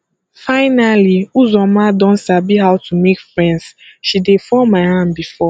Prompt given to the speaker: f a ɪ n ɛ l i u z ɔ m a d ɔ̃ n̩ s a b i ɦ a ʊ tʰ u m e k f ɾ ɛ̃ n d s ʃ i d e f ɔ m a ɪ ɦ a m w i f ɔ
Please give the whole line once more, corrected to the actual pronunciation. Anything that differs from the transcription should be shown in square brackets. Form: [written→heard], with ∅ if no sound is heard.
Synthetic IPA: f a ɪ n [ɛ→a] l i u z ɔ m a d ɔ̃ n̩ s a b i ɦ a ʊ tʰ u m e k f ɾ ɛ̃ n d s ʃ i d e f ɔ m a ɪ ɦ a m [w→b] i f ɔ